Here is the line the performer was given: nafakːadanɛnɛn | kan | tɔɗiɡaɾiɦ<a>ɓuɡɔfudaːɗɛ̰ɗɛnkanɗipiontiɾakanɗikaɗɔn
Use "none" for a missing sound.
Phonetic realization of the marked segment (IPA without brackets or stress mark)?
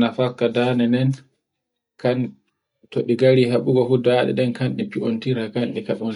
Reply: a